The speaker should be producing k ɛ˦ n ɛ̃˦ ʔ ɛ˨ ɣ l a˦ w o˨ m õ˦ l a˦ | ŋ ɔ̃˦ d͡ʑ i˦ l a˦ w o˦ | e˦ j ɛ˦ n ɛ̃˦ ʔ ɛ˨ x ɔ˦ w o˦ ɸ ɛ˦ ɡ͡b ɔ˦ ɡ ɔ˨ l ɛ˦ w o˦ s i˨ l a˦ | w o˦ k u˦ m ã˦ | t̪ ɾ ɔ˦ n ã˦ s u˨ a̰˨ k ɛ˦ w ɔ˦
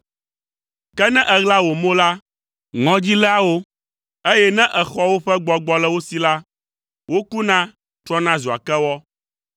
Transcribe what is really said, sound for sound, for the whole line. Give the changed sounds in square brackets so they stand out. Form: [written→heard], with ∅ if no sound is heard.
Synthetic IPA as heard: k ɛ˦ n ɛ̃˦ ʔ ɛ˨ ɣ l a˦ w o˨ m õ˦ l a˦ | ŋ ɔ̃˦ d͡ʑ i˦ l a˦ w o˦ | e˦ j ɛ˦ n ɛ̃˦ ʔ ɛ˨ x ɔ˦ w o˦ ɸ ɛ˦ ɡ͡b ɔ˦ [ɡ→ɡ͡b] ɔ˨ l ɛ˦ w o˦ s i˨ l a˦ | w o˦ k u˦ [m→n] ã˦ | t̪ ɾ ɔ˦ n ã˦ [s→z] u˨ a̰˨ k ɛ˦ w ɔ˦